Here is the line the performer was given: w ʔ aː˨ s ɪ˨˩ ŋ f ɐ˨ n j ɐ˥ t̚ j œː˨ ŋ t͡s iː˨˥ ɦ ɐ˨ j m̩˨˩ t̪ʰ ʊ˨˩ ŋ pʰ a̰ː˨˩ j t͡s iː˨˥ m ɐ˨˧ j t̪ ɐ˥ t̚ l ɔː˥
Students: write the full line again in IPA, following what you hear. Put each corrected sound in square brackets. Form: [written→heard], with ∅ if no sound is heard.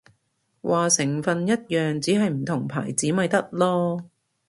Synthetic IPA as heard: w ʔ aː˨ s ɪ˨˩ ŋ f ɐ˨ n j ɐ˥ t̚ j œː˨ ŋ t͡s iː˨˥ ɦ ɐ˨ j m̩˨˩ t̪ʰ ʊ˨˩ ŋ pʰ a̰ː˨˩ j t͡s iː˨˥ m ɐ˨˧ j t̪ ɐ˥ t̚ l ɔː˥